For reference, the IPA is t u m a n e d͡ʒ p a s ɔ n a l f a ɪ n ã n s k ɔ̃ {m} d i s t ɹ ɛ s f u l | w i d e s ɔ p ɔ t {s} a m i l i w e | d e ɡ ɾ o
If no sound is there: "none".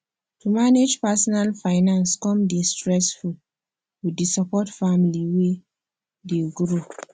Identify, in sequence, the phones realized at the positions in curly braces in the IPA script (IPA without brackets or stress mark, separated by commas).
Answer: m, f